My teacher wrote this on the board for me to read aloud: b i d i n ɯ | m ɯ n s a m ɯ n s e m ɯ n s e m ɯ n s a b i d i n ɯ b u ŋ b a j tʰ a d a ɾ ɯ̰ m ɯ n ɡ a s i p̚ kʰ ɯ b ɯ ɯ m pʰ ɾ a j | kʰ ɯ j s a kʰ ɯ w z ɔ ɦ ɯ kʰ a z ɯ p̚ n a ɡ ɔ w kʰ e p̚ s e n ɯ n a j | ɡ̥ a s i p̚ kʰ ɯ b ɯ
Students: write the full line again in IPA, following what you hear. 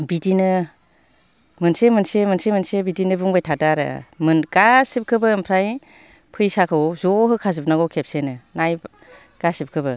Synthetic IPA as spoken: b i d i n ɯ | m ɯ n s e m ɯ n s e m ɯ n s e m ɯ n s e b i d i n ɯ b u ŋ b a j tʰ a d a ɾ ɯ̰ m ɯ n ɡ a s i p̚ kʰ ɯ b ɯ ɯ m pʰ ɾ a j | pʰ ɯ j s a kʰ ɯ w z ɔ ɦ ɯ kʰ a z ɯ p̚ n a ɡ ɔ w kʰ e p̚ s e n ɯ n a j | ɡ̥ a s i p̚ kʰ ɯ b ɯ